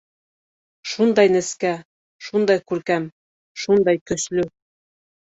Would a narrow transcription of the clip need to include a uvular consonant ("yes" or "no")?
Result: no